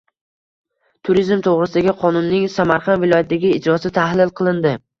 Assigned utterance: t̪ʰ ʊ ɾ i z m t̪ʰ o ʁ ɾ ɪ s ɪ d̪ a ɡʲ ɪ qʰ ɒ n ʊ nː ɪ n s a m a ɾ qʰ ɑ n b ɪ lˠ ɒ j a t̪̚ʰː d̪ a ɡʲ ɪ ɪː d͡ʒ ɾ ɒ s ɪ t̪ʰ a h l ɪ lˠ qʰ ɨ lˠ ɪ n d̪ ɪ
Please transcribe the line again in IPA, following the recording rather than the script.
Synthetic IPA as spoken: t̪ʰ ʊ ɾ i z m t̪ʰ o ʁ ɾ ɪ s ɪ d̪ a ɡʲ ɪ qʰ ɒ n ʊ nː ɪ ŋ s a m a ɾ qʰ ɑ n v ɪ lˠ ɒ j a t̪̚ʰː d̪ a ɡʲ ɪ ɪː d͡ʒ ɾ ɒ s ɪ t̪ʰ a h l ɪ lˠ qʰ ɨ lˠ ɪ n d̪ ɪ